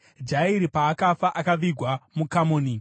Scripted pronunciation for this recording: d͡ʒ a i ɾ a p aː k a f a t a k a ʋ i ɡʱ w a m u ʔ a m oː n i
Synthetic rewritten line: d͡ʒ a i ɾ i p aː k a f a ʔ a k a ʋ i ɡʱ w a m u k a m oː n i